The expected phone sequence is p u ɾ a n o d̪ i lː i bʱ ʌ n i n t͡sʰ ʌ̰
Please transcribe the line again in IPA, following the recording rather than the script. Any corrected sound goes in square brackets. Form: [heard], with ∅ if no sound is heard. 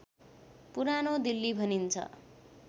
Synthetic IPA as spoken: p u ɾ a n o d̪ i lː i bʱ ʌ n i n t͡sʰ ʌ̰